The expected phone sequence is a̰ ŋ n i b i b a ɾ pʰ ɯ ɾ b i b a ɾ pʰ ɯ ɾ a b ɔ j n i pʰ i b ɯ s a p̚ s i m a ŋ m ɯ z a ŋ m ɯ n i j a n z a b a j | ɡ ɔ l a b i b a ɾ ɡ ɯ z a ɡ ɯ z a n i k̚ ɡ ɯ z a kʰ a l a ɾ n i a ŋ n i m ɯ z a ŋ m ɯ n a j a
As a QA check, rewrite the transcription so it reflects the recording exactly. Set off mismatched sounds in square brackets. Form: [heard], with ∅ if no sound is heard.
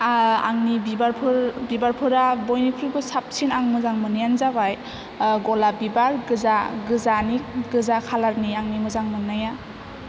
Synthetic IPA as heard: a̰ ŋ n i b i b a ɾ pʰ ɯ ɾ b i b a ɾ pʰ ɯ ɾ a b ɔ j n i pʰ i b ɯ s a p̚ s i [n] a ŋ m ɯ z a ŋ m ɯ n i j a n z a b a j | ɡ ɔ l a b i b a ɾ ɡ ɯ z a ɡ ɯ z a n i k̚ ɡ ɯ z a kʰ a l a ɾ n i a ŋ n i m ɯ z a ŋ m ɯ n a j a